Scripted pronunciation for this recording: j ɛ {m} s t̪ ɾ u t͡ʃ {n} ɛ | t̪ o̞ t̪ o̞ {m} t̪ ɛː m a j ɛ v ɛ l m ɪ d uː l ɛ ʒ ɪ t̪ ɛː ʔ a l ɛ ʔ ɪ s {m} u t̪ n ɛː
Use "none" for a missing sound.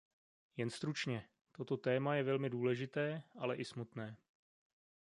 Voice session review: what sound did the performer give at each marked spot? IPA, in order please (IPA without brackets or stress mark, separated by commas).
n, ɲ, none, m